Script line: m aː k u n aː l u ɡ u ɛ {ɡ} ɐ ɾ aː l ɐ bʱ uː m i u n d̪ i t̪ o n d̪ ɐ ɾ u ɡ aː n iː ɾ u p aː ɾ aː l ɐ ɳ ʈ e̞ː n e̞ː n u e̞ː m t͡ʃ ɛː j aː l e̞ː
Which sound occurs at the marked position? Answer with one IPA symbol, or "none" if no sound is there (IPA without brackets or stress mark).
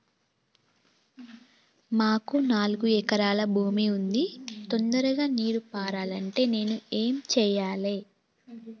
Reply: k